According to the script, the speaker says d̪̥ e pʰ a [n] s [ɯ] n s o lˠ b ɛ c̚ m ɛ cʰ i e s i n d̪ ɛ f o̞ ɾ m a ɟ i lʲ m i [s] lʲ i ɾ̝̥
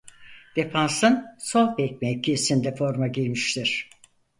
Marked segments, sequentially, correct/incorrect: correct, correct, incorrect: ʃ

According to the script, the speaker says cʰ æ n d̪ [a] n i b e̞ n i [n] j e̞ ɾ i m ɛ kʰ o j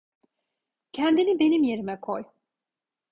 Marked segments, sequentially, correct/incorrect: incorrect: i, incorrect: m

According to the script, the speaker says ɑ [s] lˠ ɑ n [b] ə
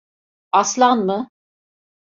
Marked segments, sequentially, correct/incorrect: correct, incorrect: m

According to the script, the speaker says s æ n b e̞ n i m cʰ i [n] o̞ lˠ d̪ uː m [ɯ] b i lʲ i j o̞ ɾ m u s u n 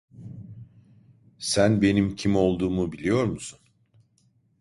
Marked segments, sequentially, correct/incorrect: incorrect: m, incorrect: u

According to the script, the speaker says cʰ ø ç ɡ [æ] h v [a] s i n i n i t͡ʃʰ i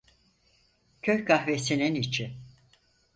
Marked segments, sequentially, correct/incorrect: incorrect: a, incorrect: e

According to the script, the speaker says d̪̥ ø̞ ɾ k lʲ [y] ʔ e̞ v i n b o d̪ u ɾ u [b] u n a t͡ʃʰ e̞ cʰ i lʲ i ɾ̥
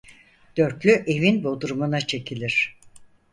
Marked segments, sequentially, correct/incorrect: correct, incorrect: m

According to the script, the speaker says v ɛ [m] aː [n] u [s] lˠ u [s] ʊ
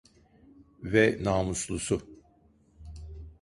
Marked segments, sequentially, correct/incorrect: incorrect: n, incorrect: m, correct, correct

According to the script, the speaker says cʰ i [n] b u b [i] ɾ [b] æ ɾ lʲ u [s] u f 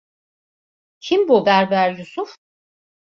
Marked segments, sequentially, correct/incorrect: incorrect: m, incorrect: æ, correct, correct

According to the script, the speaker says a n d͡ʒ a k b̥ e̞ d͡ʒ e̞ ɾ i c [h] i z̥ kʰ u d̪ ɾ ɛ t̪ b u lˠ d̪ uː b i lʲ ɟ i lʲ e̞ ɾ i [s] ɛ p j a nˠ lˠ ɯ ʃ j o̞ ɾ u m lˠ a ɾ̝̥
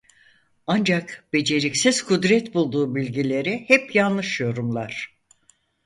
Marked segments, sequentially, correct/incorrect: incorrect: s, incorrect: h

